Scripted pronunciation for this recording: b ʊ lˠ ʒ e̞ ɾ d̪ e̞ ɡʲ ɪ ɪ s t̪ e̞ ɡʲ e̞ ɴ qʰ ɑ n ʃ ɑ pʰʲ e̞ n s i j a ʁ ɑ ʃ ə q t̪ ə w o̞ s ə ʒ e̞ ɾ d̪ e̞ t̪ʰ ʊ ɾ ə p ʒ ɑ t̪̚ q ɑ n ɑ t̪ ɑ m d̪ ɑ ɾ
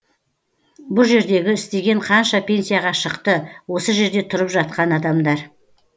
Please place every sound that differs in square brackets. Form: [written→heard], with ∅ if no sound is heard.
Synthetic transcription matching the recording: b ʊ lˠ ʒ e̞ ɾ d̪ e̞ ɡʲ ɪ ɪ s t̪ e̞ ɡʲ e̞ ɴ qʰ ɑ n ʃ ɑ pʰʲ e̞ n s i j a ʁ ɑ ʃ ə q t̪ ə w o̞ s ə ʒ e̞ ɾ d̪ e̞ t̪ʰ ʊ ɾ ə p ʒ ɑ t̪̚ q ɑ n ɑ [t̪→d̪] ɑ m d̪ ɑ ɾ